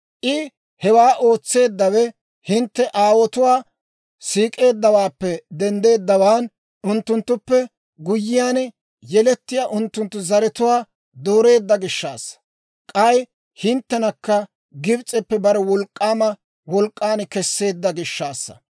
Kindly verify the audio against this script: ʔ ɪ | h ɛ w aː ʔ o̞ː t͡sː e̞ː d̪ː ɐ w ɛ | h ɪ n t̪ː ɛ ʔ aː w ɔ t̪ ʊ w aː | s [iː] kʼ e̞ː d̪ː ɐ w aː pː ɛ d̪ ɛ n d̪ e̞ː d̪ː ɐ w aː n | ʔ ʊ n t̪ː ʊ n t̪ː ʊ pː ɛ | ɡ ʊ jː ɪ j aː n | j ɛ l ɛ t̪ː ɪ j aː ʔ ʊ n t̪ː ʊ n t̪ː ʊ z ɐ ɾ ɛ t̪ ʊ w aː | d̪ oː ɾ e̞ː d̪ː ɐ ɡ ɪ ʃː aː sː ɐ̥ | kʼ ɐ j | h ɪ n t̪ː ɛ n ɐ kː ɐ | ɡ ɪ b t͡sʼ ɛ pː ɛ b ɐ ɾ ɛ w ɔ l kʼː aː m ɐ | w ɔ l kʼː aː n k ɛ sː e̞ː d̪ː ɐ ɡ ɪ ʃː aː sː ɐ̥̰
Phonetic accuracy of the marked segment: correct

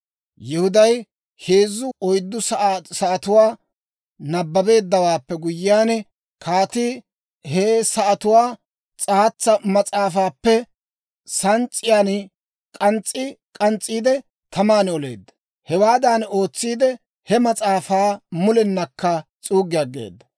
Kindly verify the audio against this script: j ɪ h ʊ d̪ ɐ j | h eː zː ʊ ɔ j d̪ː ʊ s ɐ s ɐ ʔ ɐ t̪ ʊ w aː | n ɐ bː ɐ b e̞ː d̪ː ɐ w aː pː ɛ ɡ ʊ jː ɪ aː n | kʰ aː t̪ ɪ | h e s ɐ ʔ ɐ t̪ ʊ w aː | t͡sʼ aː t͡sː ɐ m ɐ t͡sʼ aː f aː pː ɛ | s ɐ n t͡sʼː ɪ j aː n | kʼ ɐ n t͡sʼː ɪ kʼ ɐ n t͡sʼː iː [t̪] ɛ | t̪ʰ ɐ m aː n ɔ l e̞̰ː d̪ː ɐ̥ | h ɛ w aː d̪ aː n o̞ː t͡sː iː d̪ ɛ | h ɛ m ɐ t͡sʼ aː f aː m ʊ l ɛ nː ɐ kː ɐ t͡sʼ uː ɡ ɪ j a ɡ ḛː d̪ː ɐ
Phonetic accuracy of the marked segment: incorrect: d̪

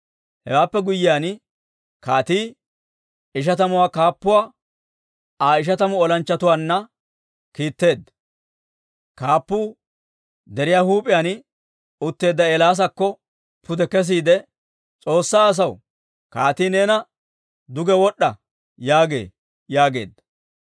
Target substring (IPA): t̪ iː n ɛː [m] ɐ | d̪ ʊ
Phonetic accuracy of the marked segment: incorrect: n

